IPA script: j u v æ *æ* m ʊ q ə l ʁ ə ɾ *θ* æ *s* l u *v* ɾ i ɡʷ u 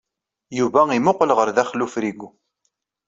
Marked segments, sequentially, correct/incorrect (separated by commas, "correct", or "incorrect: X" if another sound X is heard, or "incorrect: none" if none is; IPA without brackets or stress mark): incorrect: i, incorrect: ð, incorrect: χ, incorrect: f